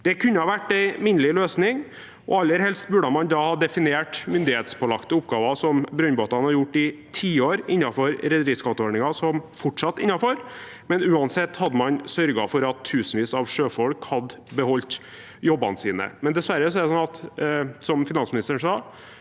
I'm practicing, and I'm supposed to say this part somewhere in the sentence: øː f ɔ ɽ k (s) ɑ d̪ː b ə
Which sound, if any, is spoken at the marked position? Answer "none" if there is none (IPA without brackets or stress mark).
h